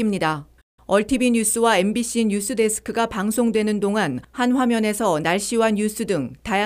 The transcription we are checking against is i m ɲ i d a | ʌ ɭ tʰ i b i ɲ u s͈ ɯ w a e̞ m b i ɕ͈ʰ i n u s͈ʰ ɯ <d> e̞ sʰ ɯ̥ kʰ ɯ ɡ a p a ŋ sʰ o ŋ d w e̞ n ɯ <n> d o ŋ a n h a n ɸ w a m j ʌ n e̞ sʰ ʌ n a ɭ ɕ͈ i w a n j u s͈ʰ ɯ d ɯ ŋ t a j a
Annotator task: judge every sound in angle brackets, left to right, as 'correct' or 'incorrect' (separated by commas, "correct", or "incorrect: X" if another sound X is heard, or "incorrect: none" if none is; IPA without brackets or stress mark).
correct, correct